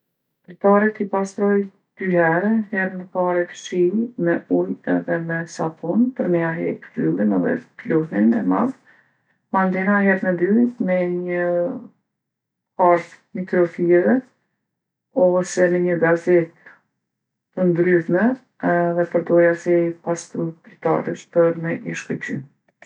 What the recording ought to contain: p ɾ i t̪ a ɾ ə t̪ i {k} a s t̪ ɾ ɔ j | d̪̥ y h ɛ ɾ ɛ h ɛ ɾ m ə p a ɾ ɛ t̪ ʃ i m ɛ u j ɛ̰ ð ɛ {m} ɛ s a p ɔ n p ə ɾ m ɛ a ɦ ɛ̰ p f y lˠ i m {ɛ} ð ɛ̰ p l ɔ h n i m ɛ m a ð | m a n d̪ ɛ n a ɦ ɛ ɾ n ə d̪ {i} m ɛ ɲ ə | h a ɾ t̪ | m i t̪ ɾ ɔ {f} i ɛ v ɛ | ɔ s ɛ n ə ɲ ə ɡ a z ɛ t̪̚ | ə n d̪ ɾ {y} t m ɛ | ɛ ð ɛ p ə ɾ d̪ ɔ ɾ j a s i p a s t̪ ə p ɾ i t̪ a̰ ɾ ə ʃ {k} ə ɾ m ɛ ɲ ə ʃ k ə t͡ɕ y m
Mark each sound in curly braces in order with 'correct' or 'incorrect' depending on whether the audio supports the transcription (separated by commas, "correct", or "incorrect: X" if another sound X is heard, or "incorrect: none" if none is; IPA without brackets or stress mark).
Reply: incorrect: p, correct, correct, incorrect: y, correct, correct, incorrect: p